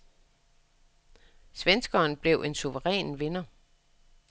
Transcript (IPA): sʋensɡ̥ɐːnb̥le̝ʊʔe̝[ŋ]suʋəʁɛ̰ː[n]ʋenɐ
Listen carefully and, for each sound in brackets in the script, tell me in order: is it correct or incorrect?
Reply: incorrect, correct

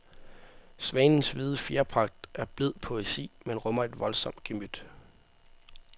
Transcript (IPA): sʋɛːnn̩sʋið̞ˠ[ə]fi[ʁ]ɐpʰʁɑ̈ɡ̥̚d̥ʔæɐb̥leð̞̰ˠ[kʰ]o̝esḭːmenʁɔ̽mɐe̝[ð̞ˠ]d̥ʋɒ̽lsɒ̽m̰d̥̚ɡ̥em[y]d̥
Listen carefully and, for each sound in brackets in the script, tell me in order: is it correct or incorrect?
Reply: correct, incorrect, incorrect, incorrect, correct

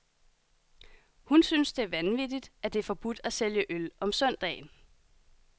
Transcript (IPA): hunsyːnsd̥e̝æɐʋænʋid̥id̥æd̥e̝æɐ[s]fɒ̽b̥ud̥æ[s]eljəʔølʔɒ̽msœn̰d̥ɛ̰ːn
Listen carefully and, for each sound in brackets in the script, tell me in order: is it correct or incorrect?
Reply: incorrect, correct

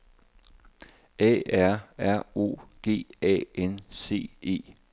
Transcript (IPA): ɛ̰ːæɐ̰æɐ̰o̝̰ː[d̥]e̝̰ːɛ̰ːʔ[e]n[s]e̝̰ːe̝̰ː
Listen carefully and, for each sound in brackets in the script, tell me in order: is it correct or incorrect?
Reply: incorrect, correct, correct

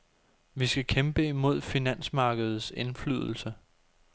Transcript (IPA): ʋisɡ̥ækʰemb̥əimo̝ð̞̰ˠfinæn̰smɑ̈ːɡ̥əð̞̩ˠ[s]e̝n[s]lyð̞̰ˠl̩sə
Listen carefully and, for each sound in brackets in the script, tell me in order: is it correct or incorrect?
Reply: correct, incorrect

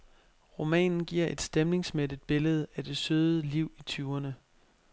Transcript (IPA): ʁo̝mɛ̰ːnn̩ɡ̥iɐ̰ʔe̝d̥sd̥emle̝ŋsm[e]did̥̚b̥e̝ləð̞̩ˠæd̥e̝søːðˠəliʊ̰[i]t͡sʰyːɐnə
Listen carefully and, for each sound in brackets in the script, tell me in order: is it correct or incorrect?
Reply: correct, correct

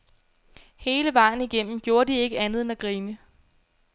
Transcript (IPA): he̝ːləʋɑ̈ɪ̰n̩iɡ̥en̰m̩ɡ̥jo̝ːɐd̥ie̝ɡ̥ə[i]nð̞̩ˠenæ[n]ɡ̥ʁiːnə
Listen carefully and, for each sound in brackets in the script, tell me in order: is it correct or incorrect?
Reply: incorrect, incorrect

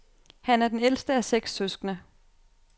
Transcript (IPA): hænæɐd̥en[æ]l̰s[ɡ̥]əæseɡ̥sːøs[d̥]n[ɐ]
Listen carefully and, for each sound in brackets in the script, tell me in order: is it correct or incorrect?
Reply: incorrect, incorrect, incorrect, incorrect

